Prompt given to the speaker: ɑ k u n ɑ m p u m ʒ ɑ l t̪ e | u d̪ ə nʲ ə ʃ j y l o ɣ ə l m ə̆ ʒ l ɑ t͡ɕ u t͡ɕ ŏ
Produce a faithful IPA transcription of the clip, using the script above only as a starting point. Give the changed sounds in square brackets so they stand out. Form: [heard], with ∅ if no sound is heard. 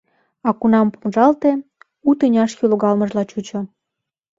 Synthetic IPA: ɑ k u n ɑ m p u m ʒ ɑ l t̪ e | u [t̪] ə nʲ [ɑ] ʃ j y l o ɣ [ɑ] l m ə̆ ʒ l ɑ t͡ɕ u t͡ɕ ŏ